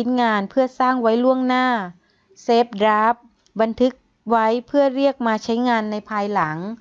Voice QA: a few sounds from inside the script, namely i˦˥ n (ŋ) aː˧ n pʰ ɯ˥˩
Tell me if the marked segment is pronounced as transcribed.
yes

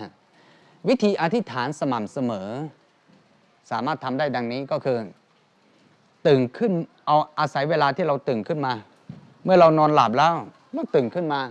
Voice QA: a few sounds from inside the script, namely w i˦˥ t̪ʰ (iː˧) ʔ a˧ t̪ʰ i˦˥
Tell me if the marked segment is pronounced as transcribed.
yes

